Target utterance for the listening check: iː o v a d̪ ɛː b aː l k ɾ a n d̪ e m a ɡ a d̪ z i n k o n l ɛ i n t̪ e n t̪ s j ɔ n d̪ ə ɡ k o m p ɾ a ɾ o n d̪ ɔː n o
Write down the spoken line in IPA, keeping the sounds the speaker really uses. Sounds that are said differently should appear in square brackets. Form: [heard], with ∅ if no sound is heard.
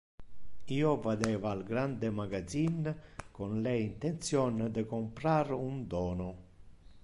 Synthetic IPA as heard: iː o v a d̪ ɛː [v] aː l [ɡ] ɾ a n d̪ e m a ɡ a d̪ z i n k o n l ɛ i n t̪ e n t̪ s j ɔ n d̪ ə [∅] k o m p ɾ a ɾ [u] n d̪ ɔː n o